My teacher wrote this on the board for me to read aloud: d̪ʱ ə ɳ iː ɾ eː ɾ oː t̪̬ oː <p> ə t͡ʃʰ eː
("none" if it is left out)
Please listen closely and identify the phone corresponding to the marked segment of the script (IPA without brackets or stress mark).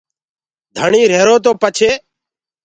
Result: p